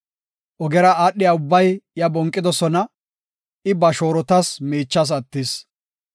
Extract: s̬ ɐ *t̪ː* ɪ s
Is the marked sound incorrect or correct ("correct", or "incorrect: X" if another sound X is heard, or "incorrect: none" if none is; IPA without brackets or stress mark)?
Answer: correct